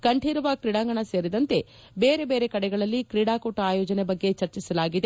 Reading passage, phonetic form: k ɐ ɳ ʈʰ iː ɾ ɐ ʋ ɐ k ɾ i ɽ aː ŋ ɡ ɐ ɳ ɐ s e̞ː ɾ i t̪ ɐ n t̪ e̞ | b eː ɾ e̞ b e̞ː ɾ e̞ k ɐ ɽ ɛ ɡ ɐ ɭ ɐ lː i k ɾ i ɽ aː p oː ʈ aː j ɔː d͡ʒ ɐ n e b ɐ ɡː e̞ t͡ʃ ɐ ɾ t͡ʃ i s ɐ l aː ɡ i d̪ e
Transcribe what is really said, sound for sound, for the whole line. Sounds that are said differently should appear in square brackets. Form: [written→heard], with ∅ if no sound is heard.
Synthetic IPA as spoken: k ɐ ɳ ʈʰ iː ɾ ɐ ʋ ɐ k ɾ i ɽ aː ŋ ɡ ɐ ɳ ɐ s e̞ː ɾ i [t̪→d̪] ɐ n t̪ e̞ | b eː ɾ e̞ b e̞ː ɾ e̞ k ɐ ɽ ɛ ɡ ɐ ɭ ɐ lː i k ɾ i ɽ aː [p→k] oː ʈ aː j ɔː d͡ʒ ɐ n e b ɐ ɡː e̞ t͡ʃ ɐ ɾ t͡ʃ i s ɐ l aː ɡ i d̪ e